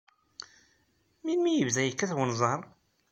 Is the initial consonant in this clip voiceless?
no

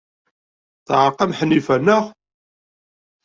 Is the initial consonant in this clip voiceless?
yes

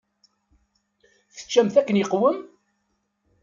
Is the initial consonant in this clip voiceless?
yes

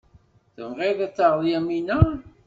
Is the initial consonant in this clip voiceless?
yes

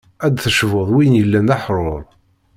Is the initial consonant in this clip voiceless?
no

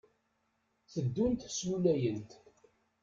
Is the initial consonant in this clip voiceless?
yes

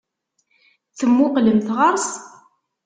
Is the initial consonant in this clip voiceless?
yes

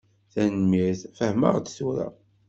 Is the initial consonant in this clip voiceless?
yes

